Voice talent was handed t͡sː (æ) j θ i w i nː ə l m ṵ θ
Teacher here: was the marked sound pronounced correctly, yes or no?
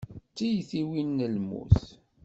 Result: no